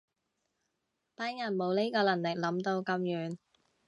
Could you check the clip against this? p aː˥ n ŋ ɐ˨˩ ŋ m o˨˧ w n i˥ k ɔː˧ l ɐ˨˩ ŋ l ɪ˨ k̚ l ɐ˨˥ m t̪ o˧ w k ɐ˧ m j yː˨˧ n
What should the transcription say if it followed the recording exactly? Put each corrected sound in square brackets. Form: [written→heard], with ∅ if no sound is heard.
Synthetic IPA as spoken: p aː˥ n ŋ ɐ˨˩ [ŋ→n] m o˨˧ w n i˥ k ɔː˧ l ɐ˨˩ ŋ l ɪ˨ k̚ l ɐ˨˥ m t̪ o˧ w k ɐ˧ m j yː˨˧ n